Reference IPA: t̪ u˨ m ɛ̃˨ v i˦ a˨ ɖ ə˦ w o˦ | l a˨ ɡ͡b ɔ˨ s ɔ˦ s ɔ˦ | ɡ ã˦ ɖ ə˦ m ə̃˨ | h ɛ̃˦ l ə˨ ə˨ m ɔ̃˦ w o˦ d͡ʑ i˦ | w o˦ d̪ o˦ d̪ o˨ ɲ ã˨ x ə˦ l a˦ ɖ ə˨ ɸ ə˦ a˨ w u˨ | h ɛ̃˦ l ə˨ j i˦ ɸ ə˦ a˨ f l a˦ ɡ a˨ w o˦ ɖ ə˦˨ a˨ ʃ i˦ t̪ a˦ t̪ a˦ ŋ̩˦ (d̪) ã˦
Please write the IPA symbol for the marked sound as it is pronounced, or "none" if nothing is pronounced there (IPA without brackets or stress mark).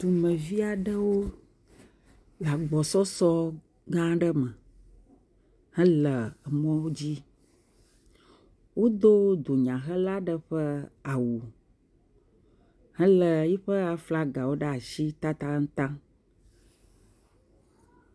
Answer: t̪